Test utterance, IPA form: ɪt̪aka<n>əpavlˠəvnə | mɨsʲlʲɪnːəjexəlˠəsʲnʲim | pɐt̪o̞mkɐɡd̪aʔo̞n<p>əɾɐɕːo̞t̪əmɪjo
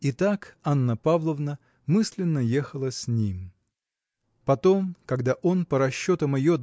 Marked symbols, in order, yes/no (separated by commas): no, yes